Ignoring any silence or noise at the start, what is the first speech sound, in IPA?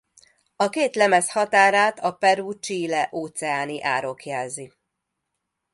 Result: ɒ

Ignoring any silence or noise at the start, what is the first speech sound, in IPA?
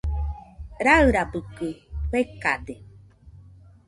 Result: ɾ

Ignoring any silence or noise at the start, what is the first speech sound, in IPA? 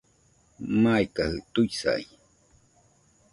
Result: m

